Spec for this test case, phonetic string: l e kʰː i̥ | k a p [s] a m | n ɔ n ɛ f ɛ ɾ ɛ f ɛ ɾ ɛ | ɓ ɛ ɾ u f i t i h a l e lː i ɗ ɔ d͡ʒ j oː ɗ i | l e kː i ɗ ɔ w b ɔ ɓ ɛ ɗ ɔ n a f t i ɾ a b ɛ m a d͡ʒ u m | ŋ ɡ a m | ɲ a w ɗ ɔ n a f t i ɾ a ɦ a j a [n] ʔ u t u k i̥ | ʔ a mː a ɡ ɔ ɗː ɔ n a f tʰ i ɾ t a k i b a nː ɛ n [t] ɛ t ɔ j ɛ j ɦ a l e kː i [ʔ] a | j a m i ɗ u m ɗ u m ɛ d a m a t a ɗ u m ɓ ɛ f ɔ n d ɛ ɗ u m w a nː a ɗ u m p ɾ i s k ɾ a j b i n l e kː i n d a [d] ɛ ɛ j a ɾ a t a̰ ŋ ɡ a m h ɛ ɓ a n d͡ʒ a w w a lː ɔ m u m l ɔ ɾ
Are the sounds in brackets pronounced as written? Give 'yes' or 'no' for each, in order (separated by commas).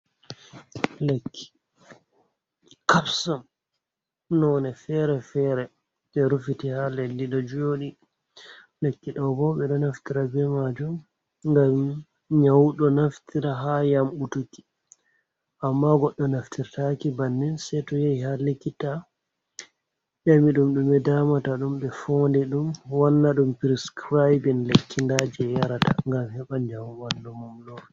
yes, no, no, no, no